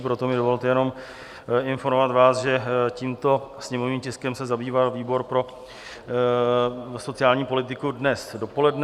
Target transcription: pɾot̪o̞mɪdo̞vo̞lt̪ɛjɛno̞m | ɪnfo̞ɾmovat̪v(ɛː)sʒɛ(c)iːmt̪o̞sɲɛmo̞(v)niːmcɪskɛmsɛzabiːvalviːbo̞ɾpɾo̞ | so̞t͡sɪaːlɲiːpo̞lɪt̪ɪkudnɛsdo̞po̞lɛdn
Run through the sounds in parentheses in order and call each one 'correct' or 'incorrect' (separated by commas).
incorrect, correct, correct